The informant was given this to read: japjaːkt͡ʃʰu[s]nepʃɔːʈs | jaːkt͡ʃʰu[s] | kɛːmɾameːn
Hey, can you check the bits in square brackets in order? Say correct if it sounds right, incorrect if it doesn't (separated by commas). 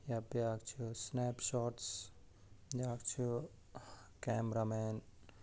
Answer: correct, incorrect